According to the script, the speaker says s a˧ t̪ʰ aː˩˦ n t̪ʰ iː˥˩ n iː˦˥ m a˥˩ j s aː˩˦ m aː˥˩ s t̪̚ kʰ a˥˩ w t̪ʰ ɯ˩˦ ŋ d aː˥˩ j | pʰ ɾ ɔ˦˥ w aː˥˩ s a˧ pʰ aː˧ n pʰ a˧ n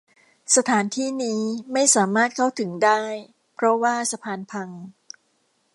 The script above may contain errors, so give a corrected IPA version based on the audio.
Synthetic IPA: s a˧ t̪ʰ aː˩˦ n t̪ʰ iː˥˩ n iː˦˥ m a˥˩ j s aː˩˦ m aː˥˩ t̪̚ kʰ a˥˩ w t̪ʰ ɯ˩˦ ŋ d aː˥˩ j | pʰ ɾ ɔ˦˥ w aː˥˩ s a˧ pʰ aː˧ n pʰ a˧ ŋ